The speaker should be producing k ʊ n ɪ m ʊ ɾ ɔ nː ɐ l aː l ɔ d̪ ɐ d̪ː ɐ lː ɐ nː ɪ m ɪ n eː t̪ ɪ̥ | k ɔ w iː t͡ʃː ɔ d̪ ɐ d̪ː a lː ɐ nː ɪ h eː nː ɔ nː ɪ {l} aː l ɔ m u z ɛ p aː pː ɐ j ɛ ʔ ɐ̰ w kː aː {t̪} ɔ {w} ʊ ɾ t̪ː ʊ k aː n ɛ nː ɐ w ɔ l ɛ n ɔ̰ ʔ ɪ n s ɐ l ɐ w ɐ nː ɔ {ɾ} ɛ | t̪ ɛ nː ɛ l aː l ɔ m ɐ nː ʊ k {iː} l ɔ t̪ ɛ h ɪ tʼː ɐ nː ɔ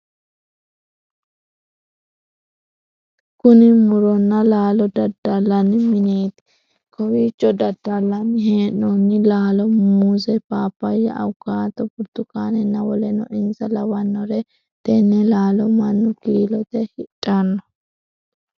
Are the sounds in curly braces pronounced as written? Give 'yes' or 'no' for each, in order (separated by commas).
yes, yes, no, yes, yes